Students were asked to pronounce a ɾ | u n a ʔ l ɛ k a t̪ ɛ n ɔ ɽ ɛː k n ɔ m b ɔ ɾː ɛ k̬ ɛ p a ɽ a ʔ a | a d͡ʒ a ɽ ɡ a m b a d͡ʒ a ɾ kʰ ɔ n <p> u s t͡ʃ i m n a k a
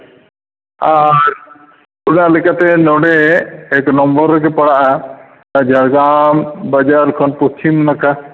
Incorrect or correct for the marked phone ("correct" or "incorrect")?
correct